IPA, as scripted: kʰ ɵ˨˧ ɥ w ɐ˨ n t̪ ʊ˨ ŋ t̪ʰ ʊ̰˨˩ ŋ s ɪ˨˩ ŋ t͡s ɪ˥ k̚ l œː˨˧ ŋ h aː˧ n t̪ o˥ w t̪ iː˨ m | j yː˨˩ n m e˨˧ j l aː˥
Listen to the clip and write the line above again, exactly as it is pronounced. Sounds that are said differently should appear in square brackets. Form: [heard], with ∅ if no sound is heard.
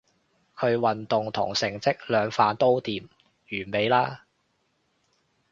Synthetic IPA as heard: kʰ ɵ˨˧ ɥ w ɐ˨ n t̪ ʊ˨ ŋ t̪ʰ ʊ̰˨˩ ŋ s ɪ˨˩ ŋ t͡s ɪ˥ k̚ l œː˨˧ ŋ [f] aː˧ n t̪ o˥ w t̪ iː˨ m | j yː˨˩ n m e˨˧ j l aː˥